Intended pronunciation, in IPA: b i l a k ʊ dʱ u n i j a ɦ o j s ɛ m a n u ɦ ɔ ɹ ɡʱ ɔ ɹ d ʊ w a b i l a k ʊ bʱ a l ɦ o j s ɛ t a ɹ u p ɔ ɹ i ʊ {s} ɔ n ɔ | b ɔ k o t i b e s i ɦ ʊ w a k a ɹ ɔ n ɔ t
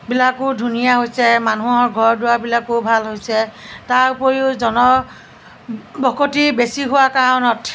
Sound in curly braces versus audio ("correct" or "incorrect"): incorrect